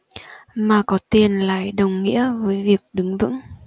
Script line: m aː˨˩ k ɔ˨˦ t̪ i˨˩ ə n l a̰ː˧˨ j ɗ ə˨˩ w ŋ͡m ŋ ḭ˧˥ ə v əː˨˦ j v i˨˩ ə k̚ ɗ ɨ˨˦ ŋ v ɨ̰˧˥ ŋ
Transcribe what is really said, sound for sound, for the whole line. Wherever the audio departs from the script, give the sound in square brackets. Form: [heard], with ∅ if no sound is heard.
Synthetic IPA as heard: m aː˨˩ k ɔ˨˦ t̪ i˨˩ ə n l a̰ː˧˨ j ɗ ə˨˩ w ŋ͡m ŋ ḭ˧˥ ə v əː˨˦ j v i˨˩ ə k̚ ɗ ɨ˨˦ ŋ v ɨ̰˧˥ ŋ